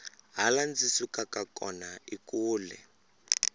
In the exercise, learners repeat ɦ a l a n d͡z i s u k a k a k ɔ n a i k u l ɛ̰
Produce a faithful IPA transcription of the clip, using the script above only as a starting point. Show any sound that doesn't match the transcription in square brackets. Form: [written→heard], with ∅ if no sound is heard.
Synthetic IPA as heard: ɦ a l a n d͡z i s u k a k a k ɔ n a i k [u→uː] l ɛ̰